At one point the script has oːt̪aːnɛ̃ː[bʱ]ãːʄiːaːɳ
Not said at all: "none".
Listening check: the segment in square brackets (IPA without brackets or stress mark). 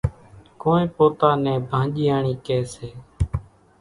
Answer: bʱ